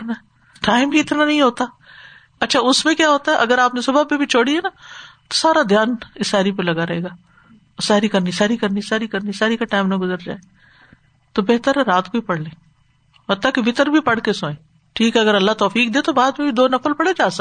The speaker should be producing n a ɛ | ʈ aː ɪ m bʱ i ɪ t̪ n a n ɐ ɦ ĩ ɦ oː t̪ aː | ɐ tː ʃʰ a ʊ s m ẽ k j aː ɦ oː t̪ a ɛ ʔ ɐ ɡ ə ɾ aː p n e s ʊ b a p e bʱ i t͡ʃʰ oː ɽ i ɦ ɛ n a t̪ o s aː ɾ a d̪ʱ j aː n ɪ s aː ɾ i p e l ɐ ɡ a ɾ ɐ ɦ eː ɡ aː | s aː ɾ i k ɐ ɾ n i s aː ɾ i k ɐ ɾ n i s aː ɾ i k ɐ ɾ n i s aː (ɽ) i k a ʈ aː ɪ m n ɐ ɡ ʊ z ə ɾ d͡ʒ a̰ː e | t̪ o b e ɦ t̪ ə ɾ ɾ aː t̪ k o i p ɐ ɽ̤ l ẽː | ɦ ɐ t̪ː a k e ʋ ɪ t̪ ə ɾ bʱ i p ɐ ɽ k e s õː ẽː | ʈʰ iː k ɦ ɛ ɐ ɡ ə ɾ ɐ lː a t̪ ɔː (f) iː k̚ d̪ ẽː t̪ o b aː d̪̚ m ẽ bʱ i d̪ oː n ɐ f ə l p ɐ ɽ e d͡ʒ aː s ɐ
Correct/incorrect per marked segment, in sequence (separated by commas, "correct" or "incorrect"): incorrect, correct